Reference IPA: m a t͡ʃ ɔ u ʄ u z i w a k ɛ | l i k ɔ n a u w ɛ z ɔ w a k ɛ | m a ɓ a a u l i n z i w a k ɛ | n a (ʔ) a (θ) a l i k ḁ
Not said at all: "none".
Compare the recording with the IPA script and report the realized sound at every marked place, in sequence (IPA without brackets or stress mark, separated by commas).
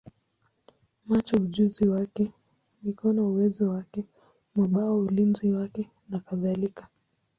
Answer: k, ð